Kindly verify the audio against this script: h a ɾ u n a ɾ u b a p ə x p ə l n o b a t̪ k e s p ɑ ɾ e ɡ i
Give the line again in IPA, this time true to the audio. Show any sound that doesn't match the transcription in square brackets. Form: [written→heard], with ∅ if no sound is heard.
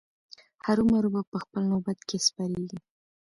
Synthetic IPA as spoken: h a ɾ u [n→m] a ɾ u b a p ə x p ə l n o b a t̪ k e s p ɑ ɾ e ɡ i